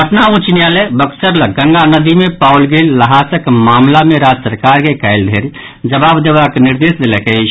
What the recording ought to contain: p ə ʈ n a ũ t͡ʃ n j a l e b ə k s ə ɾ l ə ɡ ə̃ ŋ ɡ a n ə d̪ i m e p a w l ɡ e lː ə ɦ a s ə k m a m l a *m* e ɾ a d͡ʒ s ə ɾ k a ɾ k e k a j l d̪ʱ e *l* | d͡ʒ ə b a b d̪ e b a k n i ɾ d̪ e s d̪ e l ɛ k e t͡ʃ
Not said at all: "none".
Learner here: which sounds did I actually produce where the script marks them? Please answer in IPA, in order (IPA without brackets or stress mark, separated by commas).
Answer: m, ɾ